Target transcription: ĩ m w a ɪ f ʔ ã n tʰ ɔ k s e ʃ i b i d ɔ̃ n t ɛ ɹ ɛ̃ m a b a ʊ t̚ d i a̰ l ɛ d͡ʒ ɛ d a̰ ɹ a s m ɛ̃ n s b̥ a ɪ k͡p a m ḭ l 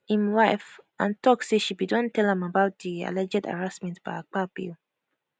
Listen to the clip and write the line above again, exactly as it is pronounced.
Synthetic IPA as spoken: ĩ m w a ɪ f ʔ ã n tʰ ɔ k s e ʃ i b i d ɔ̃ n t ɛ l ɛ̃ m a b a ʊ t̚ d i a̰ l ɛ d͡ʒ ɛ d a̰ ɹ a s m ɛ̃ n t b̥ a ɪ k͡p a b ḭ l